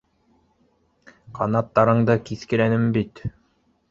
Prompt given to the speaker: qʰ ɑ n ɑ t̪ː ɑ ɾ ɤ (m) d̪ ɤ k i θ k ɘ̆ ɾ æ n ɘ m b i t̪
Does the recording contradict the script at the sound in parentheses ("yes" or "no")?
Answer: yes